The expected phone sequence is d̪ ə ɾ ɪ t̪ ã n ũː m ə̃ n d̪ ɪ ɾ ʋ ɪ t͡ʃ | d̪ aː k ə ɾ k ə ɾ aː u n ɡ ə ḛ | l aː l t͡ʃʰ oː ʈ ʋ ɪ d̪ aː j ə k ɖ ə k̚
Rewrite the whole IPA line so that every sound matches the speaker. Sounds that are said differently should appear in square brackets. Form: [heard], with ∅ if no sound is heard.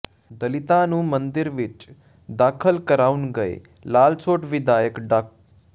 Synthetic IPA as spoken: d̪ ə [l] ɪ t̪ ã n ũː m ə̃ n d̪ ɪ ɾ ʋ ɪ t͡ʃ | d̪ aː [kʰ] ə [l] k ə ɾ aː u n ɡ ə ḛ | l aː l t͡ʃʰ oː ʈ ʋ ɪ d̪ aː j ə k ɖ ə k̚